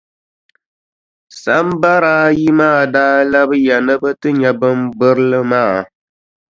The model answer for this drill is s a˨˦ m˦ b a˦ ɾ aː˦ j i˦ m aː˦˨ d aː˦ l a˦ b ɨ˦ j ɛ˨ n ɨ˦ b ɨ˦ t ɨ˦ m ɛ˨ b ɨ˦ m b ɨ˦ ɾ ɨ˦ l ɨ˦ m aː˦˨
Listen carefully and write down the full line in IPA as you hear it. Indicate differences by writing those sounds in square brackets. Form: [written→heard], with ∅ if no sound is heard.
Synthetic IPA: s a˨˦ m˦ b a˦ ɾ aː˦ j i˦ m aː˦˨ d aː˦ l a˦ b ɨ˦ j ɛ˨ n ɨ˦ b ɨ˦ t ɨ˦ [m→ɲ] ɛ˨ b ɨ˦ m b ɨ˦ ɾ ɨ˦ l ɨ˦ m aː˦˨

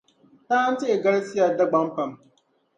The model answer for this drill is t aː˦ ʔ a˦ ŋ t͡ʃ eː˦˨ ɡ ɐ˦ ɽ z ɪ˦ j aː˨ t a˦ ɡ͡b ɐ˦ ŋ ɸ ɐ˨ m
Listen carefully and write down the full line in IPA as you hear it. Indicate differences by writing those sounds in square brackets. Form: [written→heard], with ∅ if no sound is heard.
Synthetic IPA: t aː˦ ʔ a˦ [ŋ→n] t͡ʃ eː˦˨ ɡ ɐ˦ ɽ [z→s] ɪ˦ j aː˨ [t→d] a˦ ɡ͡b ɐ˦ [ŋ→m] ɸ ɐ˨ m

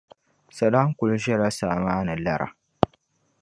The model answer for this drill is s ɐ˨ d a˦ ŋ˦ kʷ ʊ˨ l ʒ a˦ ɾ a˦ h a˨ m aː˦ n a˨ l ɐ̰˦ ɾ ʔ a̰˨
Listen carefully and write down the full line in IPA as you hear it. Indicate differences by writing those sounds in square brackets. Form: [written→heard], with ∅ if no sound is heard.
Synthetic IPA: s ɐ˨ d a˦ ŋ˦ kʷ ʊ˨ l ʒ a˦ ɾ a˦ [h→s] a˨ m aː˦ n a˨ l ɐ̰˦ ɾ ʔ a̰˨

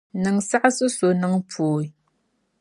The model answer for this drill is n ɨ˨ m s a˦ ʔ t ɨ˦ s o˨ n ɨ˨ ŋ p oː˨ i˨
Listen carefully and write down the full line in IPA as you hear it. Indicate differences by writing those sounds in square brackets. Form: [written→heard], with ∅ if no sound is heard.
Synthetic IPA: n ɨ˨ [m→ŋ] s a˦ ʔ [t→s] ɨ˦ s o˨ n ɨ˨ ŋ p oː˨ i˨

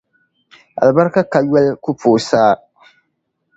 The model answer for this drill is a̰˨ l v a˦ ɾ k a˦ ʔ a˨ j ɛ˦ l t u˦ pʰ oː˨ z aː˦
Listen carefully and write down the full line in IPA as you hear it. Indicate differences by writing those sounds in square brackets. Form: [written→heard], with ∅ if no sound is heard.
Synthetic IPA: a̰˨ l [v→b] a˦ ɾ k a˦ [ʔ→k] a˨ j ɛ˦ l [t→k] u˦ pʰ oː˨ [z→s] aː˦

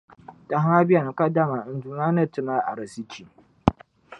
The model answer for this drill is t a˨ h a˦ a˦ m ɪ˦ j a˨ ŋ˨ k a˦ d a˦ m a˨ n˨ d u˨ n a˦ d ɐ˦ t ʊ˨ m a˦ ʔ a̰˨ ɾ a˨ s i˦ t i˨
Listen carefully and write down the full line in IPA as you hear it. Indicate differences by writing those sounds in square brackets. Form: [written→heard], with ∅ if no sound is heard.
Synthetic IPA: t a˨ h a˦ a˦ [m→b] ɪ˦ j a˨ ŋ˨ k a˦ d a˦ m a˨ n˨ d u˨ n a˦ [d→n] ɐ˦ t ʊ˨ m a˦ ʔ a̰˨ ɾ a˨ s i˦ [t→t͡ʃ] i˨

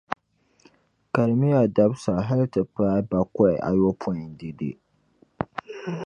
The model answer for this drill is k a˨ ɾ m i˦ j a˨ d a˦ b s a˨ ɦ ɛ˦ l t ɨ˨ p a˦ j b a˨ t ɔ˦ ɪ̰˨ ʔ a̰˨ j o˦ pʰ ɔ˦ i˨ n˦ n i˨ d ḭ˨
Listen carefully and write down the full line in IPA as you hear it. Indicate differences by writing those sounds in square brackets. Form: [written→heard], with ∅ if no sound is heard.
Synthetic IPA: k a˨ ɾ m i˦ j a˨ d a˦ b s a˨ ɦ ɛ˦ l t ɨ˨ p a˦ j b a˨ [t→k] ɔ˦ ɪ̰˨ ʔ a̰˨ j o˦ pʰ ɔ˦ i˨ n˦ [n→d] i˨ d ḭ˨

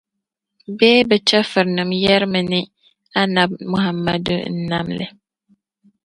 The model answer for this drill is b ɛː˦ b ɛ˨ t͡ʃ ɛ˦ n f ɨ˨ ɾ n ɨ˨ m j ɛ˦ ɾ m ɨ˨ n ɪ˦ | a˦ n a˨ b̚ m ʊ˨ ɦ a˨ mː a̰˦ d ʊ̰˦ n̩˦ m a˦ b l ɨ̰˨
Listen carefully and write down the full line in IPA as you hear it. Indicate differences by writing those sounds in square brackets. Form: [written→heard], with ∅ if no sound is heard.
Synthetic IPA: b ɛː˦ b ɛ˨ t͡ʃ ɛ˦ [n→∅] f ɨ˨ ɾ n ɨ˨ m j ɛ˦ ɾ m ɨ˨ n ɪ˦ | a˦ n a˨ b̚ m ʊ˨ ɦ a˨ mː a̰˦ d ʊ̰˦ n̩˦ [m→n] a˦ [b→m] l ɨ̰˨

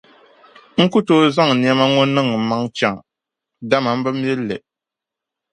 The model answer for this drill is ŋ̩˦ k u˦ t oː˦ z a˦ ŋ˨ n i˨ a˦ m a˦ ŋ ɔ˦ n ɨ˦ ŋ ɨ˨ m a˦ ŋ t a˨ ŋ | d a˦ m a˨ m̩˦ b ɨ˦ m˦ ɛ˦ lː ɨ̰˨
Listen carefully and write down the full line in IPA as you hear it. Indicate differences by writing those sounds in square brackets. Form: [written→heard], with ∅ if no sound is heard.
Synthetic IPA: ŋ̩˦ k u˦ t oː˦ z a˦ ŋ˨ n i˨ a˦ m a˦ ŋ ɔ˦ n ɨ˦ ŋ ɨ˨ m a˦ ŋ [t→t͡ʃ] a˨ ŋ | d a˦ m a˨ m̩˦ b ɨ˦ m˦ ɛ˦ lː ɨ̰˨

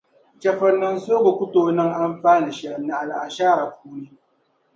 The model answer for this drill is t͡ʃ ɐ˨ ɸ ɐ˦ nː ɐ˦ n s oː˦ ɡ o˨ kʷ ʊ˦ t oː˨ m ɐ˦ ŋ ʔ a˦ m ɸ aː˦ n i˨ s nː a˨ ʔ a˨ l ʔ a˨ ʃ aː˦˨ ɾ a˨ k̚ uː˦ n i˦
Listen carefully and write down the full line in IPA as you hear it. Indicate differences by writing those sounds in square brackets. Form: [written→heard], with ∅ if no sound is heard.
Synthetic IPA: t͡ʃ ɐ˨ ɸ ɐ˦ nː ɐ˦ n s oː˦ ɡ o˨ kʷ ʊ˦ t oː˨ [m→n] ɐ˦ ŋ ʔ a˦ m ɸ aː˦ n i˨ [s→ʃ] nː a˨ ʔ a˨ l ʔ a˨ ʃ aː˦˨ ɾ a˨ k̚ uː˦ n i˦

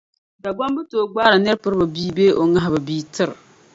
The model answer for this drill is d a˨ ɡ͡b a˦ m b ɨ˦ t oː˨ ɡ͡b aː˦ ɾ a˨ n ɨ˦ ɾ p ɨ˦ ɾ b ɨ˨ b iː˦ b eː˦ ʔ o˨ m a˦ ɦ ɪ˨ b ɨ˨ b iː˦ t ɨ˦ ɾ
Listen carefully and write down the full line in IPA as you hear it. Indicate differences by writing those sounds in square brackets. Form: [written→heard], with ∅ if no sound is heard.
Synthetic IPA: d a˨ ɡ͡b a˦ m b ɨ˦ t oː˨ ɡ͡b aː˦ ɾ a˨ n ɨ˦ ɾ p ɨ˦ ɾ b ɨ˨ b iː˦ b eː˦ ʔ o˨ [m→ŋ] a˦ ɦ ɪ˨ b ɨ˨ b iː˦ t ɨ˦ ɾ

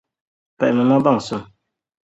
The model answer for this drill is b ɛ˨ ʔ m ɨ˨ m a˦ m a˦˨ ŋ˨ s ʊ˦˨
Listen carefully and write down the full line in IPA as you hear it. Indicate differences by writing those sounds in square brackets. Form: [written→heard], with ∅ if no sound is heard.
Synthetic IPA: [b→p] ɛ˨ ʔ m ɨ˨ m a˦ [m→b] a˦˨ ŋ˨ s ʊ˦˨

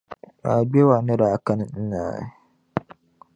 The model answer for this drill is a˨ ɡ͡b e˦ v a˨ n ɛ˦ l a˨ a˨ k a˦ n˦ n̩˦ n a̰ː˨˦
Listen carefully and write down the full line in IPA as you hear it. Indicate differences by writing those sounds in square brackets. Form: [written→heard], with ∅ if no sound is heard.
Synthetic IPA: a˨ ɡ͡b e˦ [v→w] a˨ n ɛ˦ [l→ɾ] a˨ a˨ k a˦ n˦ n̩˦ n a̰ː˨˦

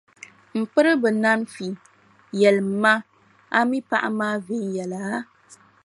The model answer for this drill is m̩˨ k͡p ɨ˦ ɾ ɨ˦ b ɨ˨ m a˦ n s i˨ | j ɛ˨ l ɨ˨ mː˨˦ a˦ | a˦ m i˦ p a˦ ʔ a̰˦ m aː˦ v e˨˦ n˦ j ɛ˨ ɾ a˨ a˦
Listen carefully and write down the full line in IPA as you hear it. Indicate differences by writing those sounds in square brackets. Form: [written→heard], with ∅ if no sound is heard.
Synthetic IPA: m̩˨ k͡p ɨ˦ ɾ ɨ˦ b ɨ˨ [m→n] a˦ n [s→f] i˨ | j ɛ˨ l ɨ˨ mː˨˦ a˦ | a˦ m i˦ p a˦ ʔ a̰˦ m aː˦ v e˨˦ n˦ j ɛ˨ [ɾ→l] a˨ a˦

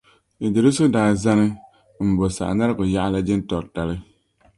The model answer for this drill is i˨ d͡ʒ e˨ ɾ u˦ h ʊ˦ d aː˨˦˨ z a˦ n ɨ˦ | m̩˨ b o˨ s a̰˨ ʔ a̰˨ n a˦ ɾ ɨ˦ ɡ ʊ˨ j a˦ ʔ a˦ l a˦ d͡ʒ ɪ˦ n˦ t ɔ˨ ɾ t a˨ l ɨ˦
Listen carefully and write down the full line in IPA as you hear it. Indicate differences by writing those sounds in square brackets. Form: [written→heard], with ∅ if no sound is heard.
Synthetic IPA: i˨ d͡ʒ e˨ ɾ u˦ [h→s] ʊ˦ d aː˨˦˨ z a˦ n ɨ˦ | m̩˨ b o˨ s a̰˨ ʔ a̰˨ n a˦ ɾ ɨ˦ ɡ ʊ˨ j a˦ ʔ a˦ l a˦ d͡ʒ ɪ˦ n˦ t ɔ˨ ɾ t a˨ l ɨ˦

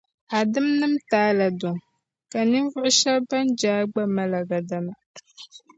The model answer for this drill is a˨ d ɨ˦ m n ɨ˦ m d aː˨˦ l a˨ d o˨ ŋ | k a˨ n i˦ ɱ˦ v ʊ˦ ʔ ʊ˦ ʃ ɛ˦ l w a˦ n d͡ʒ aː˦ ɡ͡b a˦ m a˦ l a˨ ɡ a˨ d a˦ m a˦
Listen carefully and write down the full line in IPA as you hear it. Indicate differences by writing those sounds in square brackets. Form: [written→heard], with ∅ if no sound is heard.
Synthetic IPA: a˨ d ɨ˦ m n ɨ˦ m [d→t] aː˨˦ l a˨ d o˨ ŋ | k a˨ n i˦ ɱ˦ v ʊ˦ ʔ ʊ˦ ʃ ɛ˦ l [w→b] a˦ n d͡ʒ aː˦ ɡ͡b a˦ m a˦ l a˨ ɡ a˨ d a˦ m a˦

